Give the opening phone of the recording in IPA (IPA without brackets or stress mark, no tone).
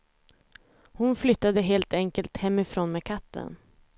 h